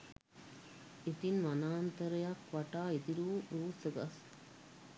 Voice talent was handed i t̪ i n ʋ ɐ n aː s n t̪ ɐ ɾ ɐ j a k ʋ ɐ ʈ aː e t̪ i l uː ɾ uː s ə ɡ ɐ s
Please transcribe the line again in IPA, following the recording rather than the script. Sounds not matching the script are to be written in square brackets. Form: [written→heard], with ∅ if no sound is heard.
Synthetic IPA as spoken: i t̪ i n ʋ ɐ n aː [s→∅] n t̪ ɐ ɾ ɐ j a k ʋ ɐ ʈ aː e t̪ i [l→ɾ] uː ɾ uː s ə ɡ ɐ s

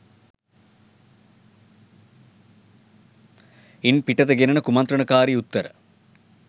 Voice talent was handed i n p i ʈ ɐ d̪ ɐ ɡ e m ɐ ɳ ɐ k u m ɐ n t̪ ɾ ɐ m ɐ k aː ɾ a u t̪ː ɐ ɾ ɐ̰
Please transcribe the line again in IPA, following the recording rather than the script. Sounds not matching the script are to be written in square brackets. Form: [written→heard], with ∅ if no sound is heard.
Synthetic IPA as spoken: i n p i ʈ ɐ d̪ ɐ ɡ e [m→n] ɐ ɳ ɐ k u m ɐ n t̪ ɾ ɐ [m→ɳ] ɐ k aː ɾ [a→i] u t̪ː ɐ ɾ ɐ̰

